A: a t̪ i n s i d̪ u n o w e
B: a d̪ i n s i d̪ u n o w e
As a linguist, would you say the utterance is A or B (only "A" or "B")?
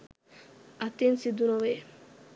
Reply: A